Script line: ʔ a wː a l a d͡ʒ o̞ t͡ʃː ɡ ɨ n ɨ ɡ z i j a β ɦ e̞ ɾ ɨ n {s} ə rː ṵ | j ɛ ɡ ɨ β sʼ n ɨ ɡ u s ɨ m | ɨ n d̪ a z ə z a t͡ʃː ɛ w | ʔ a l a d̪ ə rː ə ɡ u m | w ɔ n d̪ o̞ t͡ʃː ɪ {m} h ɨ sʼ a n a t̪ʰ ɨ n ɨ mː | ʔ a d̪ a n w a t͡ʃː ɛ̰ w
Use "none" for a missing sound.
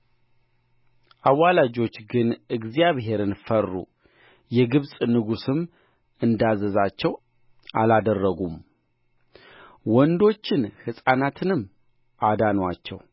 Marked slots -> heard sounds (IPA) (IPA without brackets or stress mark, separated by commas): f, n